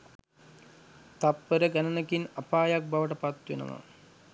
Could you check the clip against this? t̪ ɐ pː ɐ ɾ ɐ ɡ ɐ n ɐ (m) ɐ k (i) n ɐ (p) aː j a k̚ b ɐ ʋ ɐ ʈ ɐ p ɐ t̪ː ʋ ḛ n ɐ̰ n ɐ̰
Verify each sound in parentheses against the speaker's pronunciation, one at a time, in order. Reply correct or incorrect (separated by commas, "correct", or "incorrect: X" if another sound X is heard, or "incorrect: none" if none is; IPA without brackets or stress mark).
incorrect: n, correct, correct